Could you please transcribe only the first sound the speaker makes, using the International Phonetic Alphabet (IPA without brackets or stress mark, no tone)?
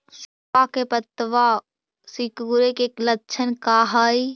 s